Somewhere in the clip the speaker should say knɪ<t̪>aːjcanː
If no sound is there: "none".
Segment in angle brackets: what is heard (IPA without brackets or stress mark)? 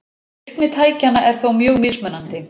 t̪ʰ